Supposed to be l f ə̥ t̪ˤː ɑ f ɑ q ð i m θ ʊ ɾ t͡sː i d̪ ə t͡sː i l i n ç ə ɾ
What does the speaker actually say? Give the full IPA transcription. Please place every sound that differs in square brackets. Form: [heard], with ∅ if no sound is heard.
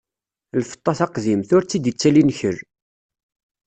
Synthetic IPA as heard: l f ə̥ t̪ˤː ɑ [θ] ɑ q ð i m θ ʊ ɾ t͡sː i d̪ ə t͡sː [æ] l i n ç ə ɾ